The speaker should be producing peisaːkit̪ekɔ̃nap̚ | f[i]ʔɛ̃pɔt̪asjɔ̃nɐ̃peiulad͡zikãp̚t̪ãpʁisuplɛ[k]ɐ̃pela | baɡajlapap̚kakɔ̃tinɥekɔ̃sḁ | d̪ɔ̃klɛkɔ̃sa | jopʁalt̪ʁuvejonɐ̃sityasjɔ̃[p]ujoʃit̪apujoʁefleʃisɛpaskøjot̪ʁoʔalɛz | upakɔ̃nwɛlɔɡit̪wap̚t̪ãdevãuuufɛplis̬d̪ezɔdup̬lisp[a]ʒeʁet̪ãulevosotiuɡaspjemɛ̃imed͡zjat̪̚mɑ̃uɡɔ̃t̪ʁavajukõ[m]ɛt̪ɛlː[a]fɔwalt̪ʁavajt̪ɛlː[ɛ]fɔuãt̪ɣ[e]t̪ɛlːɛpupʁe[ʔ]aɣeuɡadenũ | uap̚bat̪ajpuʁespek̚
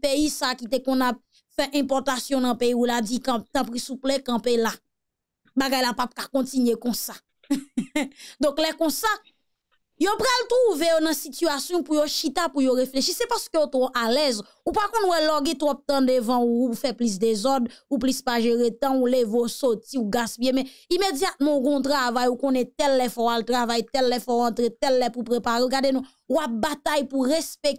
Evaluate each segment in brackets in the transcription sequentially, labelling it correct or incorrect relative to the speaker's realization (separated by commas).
incorrect, correct, correct, correct, incorrect, incorrect, correct, correct, incorrect